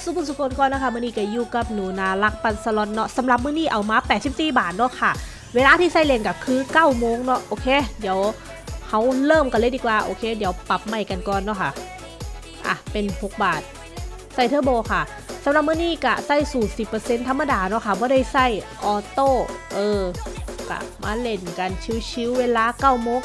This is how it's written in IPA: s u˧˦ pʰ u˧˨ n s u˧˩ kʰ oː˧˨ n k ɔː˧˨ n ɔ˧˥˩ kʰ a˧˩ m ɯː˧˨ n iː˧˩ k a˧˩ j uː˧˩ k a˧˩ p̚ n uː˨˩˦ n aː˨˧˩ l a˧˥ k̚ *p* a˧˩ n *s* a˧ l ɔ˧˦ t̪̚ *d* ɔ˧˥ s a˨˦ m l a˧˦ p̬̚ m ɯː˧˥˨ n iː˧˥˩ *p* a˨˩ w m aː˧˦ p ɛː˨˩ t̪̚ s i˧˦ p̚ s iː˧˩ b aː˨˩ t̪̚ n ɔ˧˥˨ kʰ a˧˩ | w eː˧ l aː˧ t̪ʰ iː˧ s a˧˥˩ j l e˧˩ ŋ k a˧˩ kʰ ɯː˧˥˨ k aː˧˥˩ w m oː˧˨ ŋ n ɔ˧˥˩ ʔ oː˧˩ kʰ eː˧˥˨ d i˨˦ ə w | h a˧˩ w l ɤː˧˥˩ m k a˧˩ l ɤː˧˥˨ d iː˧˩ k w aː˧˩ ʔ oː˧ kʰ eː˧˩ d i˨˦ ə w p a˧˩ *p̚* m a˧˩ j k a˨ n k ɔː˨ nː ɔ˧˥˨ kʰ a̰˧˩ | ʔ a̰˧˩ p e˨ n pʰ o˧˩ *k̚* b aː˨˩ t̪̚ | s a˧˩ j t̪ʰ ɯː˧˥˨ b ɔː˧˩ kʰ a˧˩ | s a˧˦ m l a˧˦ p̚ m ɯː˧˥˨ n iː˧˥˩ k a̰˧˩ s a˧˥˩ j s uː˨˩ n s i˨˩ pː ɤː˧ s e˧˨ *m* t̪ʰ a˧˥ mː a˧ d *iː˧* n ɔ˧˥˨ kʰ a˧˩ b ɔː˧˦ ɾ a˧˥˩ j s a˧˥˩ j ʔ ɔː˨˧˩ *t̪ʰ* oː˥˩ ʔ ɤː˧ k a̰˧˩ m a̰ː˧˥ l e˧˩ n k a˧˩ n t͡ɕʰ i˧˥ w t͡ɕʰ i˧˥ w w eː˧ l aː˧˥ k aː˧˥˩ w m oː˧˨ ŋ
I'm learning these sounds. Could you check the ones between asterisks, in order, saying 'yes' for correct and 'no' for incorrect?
yes, yes, no, no, yes, yes, no, no, no

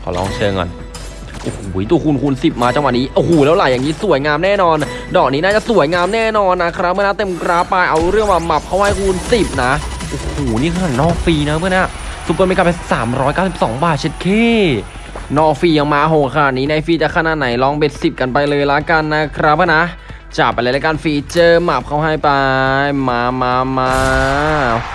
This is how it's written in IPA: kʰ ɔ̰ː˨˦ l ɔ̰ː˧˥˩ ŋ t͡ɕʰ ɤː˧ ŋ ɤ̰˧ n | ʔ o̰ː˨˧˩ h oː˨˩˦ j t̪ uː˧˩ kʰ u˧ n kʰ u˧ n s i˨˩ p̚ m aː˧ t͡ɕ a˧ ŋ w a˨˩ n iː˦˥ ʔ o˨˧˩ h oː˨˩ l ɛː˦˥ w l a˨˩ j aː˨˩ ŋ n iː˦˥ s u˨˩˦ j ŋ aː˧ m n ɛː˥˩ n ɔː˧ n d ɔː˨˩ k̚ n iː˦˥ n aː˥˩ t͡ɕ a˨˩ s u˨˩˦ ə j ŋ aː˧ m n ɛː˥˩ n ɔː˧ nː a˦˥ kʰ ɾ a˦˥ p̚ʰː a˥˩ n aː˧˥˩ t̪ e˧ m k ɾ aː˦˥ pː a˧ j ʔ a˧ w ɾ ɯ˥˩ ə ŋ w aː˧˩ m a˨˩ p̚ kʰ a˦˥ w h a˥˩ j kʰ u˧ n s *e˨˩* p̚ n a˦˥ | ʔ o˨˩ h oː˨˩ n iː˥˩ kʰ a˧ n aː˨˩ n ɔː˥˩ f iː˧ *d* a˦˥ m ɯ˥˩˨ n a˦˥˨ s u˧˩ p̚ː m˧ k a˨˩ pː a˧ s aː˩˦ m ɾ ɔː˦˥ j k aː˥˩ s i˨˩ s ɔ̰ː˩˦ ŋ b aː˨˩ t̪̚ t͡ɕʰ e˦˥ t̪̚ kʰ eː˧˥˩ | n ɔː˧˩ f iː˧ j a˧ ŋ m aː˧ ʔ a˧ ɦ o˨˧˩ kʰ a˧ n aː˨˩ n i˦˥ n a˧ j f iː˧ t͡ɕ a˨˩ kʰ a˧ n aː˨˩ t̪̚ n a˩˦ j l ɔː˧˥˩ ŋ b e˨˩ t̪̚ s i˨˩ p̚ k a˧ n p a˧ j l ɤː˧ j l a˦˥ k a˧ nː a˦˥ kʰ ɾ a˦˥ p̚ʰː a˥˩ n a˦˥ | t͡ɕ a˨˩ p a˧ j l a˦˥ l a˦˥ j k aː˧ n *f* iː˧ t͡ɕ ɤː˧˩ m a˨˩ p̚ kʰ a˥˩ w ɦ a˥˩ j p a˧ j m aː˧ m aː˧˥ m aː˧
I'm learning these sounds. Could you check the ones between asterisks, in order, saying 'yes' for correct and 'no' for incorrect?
no, no, yes

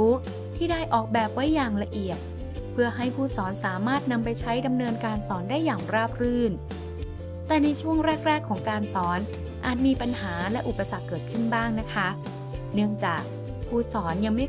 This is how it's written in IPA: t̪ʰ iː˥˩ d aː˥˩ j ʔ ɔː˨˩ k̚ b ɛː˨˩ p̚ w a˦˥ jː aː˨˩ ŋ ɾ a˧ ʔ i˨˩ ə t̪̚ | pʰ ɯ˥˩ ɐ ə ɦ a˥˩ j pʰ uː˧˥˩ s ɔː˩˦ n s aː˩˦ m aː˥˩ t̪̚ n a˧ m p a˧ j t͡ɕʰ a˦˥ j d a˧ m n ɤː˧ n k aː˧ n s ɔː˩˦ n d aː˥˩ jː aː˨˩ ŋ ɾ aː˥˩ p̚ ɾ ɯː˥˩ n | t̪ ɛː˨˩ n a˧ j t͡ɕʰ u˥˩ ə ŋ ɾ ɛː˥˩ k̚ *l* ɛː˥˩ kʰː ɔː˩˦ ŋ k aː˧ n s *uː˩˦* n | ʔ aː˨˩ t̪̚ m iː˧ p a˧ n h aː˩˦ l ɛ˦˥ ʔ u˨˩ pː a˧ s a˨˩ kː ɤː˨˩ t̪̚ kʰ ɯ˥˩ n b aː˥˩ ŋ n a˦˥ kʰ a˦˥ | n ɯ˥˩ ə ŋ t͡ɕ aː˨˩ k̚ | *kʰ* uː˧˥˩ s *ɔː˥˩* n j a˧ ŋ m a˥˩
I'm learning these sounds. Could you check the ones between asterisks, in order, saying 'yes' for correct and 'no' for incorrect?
no, no, no, no

